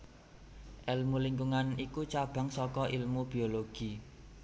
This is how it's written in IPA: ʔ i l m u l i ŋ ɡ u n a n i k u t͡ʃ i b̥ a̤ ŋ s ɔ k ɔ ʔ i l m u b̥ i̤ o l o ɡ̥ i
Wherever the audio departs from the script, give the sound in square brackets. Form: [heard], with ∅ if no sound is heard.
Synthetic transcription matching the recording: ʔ [ɛ] l m u l i ŋ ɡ u [ŋ] a n i k u t͡ʃ [a] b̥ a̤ ŋ s ɔ k ɔ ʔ i l m u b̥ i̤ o l o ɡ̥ i